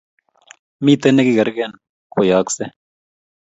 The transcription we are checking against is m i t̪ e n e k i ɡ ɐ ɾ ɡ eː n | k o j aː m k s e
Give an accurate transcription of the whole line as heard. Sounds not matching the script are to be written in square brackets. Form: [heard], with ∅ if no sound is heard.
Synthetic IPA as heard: m i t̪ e n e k i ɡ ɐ ɾ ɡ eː n | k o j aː [∅] k s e